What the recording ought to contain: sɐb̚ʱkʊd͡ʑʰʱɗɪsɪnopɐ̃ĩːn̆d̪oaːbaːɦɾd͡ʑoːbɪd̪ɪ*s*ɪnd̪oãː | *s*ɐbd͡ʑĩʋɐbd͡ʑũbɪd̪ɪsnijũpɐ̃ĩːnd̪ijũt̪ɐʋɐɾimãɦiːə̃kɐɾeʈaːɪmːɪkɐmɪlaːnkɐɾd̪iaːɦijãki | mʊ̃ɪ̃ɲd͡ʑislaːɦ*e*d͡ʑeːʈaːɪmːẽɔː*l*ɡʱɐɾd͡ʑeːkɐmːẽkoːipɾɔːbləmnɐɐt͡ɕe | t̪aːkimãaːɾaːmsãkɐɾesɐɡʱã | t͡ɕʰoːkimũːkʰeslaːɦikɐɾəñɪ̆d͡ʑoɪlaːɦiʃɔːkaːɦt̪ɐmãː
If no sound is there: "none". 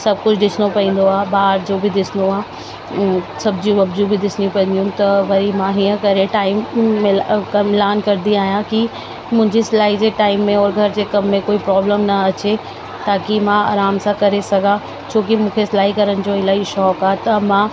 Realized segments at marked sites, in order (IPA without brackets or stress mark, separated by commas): s, s, i, ɾ